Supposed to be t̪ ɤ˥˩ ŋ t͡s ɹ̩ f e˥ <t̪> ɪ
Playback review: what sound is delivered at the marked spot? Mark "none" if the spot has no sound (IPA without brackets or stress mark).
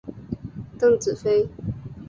none